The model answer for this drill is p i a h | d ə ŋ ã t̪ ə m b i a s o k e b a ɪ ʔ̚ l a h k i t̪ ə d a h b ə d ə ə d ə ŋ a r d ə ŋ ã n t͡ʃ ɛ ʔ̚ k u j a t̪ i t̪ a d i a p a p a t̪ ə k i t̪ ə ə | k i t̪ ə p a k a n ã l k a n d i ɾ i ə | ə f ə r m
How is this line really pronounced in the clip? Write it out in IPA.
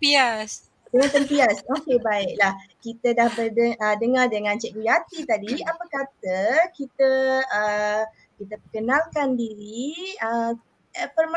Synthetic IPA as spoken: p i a s | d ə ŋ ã t̪ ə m p i a s o k e b a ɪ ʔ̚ l a h k i t̪ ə d a h b ə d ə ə d ə ŋ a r d ə ŋ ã n t͡ʃ ɛ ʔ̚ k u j a t̪ i t̪ a d i a p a k a t̪ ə k i t̪ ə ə | k i t̪ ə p ə k ə n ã l k a n d i ɾ i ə | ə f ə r m